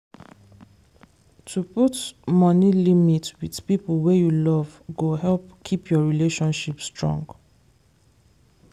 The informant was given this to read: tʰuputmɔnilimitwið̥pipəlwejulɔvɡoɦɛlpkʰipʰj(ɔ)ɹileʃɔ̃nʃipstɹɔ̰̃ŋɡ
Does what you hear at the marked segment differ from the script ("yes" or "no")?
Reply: no